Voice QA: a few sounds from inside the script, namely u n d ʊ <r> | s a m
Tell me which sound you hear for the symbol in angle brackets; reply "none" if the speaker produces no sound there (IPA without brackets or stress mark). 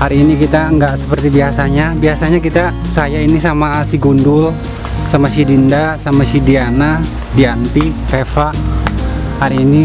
l